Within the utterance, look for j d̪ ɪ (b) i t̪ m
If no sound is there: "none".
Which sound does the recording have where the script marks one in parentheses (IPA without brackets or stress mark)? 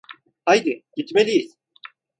ɟ